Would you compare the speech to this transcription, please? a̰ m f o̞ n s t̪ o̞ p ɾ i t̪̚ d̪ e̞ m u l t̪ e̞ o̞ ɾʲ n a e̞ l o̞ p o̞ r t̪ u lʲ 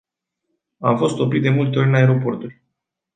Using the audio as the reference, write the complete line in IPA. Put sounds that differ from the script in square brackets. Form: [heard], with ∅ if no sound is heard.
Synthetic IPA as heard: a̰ m f o̞ [∅] s t̪ o̞ p ɾ i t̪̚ d̪ e̞ m u l t̪ e̞ o̞ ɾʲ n a e̞ [ɾ] o̞ p o̞ r t̪ u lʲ